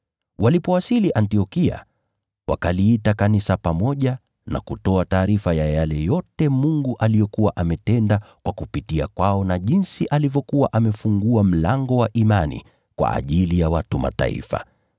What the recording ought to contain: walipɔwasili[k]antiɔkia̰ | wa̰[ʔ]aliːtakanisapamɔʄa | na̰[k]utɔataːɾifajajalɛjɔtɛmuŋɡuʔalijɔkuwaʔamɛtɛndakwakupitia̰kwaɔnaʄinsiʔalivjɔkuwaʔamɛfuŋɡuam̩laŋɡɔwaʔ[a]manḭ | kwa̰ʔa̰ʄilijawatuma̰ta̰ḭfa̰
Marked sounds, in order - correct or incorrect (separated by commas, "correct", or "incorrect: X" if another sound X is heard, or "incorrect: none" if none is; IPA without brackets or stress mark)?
incorrect: ʔ, incorrect: k, correct, incorrect: i